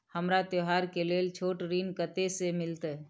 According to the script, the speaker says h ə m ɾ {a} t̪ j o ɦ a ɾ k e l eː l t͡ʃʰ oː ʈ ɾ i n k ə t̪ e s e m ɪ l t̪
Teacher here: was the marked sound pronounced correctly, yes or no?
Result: yes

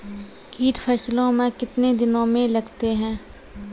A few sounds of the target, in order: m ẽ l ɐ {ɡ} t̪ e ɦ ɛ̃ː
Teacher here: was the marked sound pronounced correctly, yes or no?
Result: yes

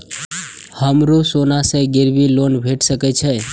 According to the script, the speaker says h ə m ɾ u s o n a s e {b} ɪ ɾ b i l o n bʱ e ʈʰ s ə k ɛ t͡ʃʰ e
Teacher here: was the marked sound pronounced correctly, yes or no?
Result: no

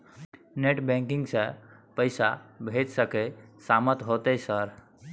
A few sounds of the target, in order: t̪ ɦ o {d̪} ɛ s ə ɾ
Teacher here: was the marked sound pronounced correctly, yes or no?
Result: no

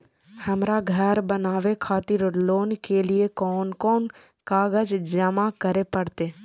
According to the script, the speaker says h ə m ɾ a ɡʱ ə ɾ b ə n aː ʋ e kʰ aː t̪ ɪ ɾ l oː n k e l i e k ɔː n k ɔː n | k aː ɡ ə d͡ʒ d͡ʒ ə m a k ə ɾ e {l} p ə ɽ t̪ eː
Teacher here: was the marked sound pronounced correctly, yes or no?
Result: no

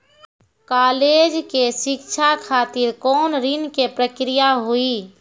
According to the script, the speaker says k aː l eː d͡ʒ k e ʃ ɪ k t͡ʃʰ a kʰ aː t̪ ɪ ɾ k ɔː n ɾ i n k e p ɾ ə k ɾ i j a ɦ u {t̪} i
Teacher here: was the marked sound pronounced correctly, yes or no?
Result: no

